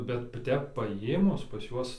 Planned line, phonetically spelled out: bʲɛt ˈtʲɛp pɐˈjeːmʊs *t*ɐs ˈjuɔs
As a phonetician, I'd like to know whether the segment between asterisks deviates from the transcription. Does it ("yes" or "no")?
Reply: yes